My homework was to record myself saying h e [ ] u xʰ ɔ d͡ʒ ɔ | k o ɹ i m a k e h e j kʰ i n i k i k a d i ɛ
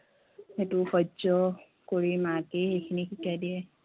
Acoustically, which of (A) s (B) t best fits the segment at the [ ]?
B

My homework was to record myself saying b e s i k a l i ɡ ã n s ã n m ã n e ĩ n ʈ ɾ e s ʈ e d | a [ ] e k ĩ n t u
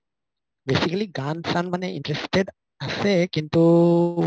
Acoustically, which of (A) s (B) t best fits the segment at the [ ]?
A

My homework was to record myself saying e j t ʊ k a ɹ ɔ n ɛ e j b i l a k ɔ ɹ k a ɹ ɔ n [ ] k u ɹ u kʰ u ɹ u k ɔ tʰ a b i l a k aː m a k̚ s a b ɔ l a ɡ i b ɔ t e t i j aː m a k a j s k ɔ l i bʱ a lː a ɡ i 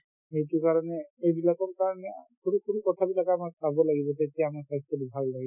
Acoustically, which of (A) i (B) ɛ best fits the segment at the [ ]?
B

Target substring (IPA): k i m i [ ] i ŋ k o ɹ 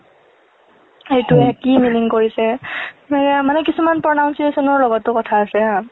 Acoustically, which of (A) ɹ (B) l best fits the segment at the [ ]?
B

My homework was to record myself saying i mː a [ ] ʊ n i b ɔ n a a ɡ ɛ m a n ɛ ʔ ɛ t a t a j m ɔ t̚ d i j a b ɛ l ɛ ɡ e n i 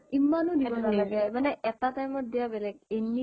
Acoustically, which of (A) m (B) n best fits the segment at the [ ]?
B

